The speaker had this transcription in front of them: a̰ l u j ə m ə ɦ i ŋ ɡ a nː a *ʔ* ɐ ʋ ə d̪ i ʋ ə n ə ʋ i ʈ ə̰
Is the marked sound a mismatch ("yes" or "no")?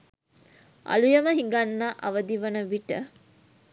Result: no